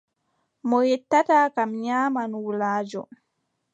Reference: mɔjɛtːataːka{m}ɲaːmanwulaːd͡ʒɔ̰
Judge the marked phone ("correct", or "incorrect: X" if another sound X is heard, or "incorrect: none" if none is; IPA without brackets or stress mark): correct